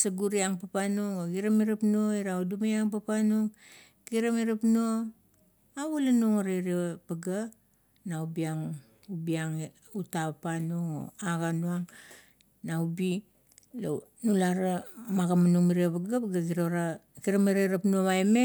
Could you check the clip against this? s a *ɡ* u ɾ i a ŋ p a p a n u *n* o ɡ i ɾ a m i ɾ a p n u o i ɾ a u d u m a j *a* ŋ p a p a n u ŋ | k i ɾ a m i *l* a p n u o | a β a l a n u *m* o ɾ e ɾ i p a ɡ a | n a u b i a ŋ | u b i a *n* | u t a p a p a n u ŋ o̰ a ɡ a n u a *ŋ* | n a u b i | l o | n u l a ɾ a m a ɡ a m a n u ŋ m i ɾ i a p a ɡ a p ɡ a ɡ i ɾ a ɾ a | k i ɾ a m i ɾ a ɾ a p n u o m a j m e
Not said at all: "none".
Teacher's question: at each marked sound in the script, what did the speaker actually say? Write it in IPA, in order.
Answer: ɡ, ŋ, a, ɾ, ŋ, ŋ, ŋ

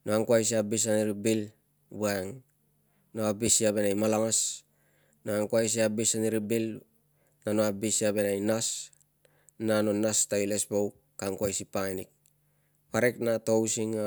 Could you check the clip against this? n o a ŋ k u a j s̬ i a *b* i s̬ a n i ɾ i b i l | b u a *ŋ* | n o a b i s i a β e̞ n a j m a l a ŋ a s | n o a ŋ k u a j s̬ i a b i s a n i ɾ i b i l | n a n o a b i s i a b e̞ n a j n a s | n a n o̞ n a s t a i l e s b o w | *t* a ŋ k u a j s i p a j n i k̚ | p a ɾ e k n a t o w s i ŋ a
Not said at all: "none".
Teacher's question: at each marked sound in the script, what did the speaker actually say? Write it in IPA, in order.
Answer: b, ŋ, k

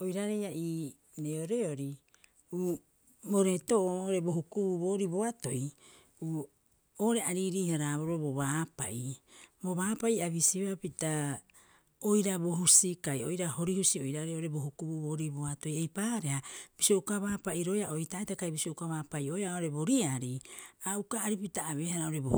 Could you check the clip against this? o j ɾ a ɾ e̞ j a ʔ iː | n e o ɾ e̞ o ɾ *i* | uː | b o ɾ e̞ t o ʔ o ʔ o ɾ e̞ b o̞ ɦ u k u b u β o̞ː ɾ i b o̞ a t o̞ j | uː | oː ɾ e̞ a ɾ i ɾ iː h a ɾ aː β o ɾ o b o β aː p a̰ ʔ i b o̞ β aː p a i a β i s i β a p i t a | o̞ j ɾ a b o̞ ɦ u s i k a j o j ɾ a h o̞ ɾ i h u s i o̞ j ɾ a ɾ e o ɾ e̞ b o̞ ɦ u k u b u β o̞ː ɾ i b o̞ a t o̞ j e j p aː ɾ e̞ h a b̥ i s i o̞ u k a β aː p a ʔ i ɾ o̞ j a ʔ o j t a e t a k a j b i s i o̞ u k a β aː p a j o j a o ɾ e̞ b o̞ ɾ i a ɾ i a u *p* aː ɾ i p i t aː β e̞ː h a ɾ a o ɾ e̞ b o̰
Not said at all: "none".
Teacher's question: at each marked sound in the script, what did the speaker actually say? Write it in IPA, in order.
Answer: i, k

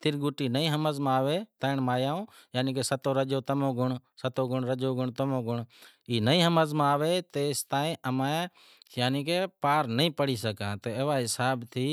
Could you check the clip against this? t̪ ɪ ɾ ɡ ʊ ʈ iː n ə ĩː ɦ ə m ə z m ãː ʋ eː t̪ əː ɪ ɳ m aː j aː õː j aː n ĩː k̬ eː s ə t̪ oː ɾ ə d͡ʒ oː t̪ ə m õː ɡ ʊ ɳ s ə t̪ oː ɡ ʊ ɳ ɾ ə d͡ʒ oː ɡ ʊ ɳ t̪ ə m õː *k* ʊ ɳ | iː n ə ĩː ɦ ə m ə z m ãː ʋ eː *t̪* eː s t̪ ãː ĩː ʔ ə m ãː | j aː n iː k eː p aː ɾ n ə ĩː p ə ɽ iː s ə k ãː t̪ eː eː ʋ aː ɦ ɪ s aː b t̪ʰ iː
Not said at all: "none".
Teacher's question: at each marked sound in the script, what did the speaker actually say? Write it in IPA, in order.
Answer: ɡ, t̪

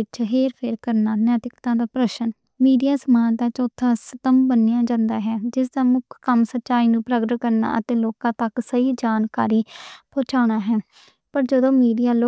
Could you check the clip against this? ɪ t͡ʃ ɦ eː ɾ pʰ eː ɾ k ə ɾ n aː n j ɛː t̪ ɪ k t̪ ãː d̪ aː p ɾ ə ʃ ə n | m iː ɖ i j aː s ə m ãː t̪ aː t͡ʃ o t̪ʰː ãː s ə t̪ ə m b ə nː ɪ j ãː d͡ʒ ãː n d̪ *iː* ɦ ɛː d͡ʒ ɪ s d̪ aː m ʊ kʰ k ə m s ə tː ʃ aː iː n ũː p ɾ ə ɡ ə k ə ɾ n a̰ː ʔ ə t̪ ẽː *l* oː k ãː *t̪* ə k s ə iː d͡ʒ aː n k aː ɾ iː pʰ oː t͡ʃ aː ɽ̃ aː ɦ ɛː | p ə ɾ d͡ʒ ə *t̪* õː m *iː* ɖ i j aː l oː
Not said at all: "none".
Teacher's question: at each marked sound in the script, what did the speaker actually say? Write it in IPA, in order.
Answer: aː, l, t̪, d̪, iː

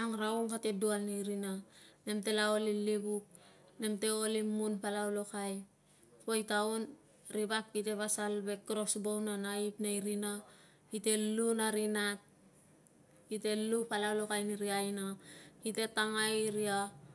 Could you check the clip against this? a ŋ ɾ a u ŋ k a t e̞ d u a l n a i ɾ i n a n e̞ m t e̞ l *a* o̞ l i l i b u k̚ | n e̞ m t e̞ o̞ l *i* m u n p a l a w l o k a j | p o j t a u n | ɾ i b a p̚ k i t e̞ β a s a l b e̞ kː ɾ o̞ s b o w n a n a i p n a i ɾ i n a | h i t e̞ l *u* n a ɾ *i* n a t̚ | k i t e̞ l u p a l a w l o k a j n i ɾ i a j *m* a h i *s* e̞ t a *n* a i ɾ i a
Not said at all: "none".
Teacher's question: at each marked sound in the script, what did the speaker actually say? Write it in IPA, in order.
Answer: a, i, u, i, n, t, ŋ

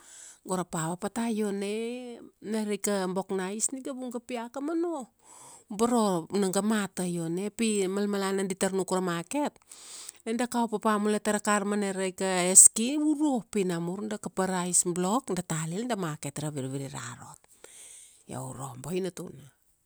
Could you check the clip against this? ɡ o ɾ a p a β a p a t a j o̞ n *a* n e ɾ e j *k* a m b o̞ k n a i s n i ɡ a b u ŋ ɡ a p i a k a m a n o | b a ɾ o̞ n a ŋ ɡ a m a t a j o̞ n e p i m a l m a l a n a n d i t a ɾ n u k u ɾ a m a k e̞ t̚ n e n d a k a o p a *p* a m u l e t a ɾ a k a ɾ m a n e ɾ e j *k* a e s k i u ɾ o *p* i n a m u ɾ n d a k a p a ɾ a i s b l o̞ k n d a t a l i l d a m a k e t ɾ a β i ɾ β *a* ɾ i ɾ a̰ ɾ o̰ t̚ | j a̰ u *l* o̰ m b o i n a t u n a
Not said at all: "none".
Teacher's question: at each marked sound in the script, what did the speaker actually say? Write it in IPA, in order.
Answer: e, k, p, k, p, i, ɾ

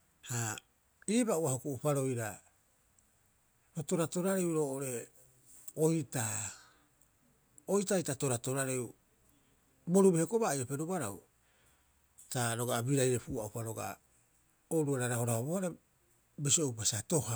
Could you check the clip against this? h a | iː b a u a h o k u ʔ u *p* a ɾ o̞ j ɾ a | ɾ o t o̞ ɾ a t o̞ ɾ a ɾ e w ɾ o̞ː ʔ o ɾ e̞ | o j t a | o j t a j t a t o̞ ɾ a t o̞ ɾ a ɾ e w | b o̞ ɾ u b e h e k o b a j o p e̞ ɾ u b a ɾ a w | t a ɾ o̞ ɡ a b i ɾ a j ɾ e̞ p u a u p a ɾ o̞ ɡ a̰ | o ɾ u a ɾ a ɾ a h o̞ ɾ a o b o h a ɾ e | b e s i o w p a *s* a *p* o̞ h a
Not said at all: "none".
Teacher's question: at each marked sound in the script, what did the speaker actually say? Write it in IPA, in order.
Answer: p, s, t

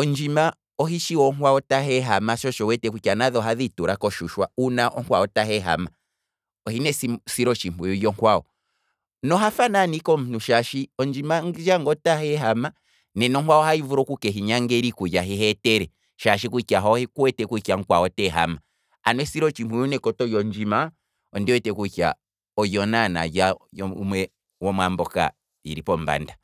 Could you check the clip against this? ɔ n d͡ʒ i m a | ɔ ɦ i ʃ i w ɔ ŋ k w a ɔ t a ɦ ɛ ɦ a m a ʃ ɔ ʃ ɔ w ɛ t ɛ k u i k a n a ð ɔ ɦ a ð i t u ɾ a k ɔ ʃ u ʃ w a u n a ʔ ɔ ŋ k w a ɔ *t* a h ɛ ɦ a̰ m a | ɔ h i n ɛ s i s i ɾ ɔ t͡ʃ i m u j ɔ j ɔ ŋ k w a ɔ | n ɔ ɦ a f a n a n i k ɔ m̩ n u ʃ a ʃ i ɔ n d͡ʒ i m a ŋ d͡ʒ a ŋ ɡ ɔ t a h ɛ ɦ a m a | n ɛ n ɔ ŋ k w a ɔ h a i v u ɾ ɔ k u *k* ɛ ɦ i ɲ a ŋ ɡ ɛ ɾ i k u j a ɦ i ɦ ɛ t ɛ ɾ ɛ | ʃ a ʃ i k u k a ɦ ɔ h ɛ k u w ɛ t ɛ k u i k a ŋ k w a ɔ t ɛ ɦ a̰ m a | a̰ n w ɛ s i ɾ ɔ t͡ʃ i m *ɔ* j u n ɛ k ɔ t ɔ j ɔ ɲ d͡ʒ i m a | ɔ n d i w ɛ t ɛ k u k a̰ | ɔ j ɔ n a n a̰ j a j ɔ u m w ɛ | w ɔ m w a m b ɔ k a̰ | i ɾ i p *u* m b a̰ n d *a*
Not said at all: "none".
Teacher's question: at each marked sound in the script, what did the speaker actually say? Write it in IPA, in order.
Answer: t, k, u, ɔ, a

